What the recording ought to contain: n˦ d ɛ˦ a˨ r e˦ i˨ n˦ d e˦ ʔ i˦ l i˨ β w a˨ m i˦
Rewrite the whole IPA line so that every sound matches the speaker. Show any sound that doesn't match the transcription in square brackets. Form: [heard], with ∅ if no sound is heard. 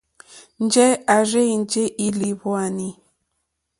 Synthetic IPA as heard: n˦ [d͡ʒ] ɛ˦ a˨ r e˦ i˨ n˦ [d͡ʒ] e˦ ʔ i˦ l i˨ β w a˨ [n] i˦